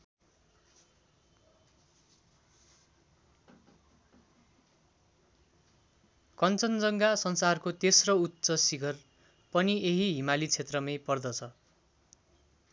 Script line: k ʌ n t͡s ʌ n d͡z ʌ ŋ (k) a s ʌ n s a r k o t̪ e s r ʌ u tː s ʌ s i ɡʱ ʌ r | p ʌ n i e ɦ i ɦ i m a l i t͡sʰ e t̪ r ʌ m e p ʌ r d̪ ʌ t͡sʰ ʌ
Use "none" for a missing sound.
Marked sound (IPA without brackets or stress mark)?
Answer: ɡ